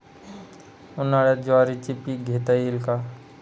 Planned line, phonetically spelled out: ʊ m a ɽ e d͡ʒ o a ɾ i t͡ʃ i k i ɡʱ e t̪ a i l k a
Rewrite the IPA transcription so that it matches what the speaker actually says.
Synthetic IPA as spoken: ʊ n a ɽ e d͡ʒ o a ɾ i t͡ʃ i p i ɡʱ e t̪ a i l k a